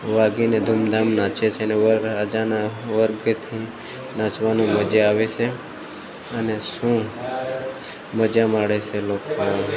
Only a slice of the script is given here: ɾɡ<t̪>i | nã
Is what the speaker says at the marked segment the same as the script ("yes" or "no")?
no